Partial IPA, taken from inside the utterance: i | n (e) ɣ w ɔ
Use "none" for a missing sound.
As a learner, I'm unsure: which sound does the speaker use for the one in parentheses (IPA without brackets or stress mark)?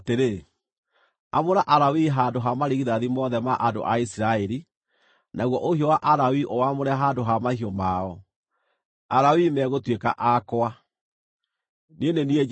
a